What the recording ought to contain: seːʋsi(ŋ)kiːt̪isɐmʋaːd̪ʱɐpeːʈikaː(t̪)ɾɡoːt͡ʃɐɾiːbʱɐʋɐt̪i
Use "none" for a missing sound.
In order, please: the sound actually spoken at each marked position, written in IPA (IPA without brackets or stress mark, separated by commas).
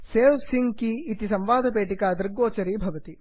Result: ŋ, d̪